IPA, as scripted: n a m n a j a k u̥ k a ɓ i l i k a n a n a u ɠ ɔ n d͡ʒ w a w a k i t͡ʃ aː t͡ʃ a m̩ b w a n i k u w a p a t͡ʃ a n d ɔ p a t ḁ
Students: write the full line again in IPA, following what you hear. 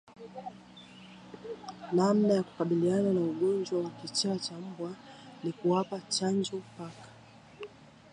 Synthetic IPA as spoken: n a m n a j a k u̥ k a ɓ i l i a n a n a u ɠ ɔ n d͡ʒ w a w a k i t͡ʃ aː t͡ʃ a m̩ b w a n i k u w a p a t͡ʃ a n d͡ʒ ɔ p a k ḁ